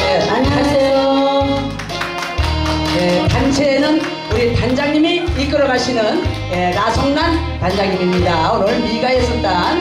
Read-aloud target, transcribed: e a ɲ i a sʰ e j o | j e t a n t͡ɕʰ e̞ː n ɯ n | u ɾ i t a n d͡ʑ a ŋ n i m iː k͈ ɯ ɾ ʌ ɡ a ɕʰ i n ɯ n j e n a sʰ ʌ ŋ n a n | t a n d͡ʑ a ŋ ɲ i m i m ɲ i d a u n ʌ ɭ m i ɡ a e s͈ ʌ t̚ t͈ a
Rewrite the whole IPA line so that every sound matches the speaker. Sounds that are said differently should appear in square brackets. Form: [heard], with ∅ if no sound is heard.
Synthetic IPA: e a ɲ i a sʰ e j o | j e t a n t͡ɕʰ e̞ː n ɯ n | u ɾ i t a n d͡ʑ a ŋ [ɲ] i m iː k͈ ɯ ɾ ʌ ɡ a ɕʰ i n ɯ n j e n a sʰ ʌ ŋ n a n | t a n d͡ʑ a ŋ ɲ i m i m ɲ i d a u n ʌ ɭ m i ɡ a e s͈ ʌ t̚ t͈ a